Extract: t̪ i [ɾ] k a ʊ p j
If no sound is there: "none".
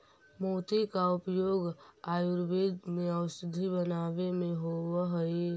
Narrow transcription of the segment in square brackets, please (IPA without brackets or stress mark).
none